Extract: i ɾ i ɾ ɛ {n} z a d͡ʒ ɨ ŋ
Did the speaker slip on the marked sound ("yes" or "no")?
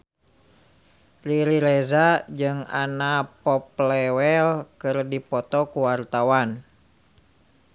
yes